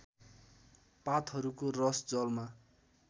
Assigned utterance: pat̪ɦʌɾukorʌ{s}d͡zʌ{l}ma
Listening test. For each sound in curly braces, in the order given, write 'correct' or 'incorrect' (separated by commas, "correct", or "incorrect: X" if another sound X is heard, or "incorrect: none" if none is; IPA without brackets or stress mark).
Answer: correct, correct